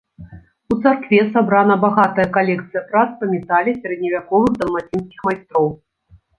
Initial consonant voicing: voiceless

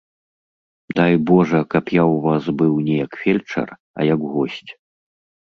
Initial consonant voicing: voiced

